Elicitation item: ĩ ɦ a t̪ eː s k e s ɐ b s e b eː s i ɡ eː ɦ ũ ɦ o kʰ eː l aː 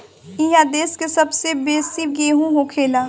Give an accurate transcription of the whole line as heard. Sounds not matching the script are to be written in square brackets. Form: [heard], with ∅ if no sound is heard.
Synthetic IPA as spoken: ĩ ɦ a [d̪] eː s k e s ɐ b s e b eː s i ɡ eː ɦ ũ ɦ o kʰ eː l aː